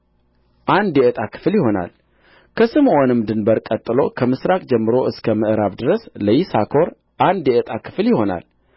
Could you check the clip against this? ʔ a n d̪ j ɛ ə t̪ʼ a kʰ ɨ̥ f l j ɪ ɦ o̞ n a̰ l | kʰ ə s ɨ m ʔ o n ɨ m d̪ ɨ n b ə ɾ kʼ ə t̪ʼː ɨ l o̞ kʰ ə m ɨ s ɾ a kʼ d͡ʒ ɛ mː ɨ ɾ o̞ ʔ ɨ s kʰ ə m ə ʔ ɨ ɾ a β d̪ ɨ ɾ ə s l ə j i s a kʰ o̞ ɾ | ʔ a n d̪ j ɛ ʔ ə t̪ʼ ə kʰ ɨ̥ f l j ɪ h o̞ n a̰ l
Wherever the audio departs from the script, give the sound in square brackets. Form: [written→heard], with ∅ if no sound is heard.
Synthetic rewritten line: ʔ a n d̪ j ɛ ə t̪ʼ a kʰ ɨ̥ f l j ɪ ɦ o̞ n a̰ l | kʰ ə s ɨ m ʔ o n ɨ m d̪ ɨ n b ə ɾ kʼ ə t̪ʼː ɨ l o̞ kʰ ə m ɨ s ɾ a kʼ d͡ʒ ɛ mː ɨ ɾ o̞ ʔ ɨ s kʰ ə m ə ʔ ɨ ɾ a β d̪ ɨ ɾ ə s l ə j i s a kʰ o̞ ɾ | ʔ a n d̪ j ɛ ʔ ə t̪ʼ [ə→a] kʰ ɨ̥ f l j ɪ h o̞ n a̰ l